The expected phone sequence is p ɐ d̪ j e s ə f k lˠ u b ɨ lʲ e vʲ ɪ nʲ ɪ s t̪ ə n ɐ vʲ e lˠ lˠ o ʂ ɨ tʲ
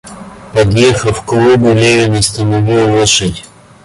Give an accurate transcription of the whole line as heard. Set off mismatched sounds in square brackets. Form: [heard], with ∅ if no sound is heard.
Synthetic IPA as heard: p ɐ d̪ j e [x] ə f k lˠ u b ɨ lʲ e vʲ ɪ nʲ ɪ s t̪ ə n ɐ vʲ [i] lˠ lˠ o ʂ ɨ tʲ